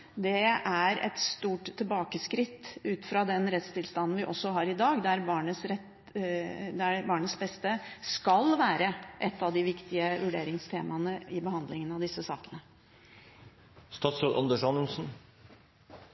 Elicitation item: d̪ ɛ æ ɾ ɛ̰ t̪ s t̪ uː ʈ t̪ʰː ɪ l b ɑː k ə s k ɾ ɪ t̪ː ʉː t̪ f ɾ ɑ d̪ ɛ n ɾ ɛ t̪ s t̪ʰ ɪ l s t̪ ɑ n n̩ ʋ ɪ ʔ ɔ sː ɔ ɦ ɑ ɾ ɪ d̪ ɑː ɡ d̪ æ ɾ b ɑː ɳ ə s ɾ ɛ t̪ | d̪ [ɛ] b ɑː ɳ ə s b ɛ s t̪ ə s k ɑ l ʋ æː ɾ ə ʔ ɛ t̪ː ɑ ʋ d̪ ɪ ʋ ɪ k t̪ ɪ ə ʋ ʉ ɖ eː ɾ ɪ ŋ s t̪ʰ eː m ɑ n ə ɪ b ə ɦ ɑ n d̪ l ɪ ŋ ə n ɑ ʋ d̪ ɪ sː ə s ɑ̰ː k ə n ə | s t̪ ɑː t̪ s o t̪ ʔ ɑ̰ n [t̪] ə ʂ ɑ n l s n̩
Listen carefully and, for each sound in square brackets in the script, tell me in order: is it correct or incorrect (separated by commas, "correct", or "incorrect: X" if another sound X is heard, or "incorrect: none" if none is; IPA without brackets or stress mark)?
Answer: incorrect: æ, incorrect: d̪